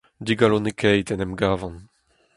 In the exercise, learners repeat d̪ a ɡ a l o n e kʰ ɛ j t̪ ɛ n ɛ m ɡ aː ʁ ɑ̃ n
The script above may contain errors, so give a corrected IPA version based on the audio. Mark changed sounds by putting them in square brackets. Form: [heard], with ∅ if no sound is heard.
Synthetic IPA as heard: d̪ [i] ɡ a l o n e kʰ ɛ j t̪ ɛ n ɛ m ɡ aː [v] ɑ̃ n